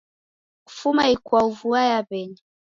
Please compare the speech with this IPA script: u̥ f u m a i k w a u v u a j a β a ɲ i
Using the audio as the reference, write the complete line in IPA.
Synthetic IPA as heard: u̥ f u m a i k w a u v u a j a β ɛ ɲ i